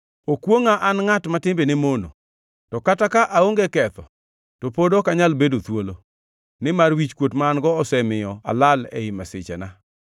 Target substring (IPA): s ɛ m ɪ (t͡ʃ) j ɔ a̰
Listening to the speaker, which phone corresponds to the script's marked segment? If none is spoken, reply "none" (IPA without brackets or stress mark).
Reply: none